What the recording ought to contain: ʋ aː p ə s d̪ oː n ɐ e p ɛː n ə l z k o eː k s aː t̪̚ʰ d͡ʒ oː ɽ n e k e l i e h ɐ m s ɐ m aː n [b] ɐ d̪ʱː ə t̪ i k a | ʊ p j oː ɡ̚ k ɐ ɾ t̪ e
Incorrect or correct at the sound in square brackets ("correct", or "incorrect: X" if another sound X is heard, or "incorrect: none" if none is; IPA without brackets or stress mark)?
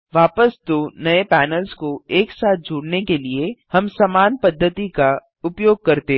incorrect: p